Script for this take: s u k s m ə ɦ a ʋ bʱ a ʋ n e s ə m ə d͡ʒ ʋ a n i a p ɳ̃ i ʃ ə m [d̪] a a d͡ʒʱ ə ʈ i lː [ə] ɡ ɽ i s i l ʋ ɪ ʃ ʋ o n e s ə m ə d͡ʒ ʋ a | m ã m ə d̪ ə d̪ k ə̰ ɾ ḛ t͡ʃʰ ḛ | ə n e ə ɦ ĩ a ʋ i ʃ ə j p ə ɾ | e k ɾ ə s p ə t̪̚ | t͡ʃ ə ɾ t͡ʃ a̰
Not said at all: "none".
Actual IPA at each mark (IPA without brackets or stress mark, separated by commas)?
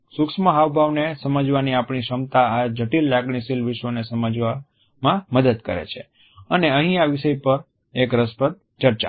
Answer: t̪, a